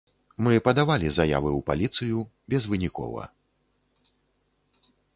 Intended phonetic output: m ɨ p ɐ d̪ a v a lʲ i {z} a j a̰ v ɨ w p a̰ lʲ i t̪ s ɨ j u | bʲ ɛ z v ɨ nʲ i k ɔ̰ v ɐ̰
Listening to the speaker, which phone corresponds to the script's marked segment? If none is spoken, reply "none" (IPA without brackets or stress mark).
z